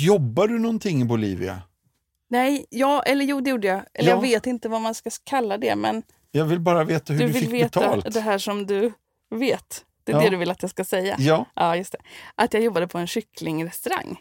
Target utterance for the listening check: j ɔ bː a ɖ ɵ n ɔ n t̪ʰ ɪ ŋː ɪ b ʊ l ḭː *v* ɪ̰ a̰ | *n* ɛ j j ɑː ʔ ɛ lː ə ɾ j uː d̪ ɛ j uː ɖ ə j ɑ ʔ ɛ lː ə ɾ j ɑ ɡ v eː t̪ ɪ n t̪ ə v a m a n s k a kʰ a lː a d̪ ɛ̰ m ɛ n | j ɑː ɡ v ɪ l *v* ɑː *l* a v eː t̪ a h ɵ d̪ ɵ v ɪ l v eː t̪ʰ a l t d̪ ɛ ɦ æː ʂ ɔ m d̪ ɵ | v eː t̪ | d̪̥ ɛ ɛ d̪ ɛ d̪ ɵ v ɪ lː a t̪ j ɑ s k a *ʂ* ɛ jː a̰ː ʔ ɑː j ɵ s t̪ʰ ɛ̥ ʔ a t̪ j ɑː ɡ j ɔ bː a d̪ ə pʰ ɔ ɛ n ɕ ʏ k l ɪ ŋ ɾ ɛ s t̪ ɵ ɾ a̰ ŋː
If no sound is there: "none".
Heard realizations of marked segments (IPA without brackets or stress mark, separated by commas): v, n, b, ɾ, s